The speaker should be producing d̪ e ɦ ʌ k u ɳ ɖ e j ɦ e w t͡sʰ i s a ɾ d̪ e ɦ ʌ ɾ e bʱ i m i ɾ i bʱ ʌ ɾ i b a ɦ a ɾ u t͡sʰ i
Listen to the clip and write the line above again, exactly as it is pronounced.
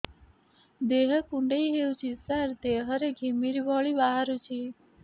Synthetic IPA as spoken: d̪ e ɦ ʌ k u ɳ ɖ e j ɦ e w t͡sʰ i s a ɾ d̪ e ɦ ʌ ɾ e ɡʱ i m i ɾ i bʱ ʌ ɭ i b a ɦ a ɾ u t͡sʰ i

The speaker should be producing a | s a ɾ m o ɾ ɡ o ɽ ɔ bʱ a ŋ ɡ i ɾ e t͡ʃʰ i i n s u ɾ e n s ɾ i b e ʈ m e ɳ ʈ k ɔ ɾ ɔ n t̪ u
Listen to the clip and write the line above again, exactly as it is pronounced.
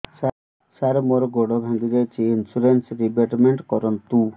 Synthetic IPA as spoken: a | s a ɾ m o ɾ ɡ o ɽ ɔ bʱ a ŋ ɡ i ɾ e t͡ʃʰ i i n s u ɾ e n s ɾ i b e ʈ m e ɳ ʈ k ɔ ɾ ɔ n t̪ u

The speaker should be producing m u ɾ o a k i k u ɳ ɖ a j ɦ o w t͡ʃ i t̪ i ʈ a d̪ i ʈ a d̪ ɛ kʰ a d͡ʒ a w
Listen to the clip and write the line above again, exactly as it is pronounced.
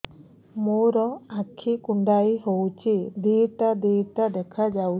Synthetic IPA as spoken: m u ɾ ɔ a kʰ i k u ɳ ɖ a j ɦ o w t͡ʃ i d̪ i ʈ a d̪ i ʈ a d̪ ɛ kʰ a d͡ʒ a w

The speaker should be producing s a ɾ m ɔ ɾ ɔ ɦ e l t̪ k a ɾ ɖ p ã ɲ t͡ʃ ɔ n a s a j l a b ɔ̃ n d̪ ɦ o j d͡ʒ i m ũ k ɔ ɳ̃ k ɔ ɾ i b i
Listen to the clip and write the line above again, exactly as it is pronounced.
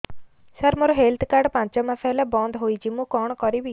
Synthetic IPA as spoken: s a ɾ m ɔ ɾ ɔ ɦ e l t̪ k a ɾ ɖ p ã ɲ t͡ʃ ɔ m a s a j l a b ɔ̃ n d̪ ɦ o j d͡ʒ i m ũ k ɔ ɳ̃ k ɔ ɾ i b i

